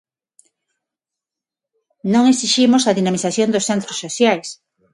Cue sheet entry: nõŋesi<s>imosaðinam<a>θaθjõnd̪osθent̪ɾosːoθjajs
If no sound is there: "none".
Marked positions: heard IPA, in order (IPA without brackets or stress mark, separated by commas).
ʃ, i